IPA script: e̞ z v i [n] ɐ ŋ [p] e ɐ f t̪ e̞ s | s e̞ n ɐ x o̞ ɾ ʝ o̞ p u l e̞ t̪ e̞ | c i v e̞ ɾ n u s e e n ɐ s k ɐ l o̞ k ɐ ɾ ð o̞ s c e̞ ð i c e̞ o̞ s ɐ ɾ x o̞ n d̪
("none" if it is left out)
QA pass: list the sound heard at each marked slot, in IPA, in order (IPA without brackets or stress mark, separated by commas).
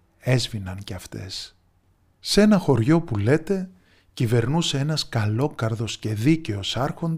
n, c